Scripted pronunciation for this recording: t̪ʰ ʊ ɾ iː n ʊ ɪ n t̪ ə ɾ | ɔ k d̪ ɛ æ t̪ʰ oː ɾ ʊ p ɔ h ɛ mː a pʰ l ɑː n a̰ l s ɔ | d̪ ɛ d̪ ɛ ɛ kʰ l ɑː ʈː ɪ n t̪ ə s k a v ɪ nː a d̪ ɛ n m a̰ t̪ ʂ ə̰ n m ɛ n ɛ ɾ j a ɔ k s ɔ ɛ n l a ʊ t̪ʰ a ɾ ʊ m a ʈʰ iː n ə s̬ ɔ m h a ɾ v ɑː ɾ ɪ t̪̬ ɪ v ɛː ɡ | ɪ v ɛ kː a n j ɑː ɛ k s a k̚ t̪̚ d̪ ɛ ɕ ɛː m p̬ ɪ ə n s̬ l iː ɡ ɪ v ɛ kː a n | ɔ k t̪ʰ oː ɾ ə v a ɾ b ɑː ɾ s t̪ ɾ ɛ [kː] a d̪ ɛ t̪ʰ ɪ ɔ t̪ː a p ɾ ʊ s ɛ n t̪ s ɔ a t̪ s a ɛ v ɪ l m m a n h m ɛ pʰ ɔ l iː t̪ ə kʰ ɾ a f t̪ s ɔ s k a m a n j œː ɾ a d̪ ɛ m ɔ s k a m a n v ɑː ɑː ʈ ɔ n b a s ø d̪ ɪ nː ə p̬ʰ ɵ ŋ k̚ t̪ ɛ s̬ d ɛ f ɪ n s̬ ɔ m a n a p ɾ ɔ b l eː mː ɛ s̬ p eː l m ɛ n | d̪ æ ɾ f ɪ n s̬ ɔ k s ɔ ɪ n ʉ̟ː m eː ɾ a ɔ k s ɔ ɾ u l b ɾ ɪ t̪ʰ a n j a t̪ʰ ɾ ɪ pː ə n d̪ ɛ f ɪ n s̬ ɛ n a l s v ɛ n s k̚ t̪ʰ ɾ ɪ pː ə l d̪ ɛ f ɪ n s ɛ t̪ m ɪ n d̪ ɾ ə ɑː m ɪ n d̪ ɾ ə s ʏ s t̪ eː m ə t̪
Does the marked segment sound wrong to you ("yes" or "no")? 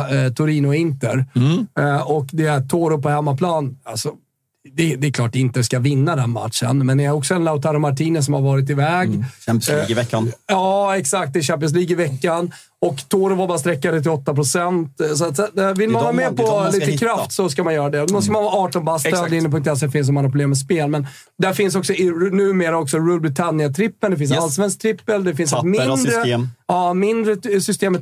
no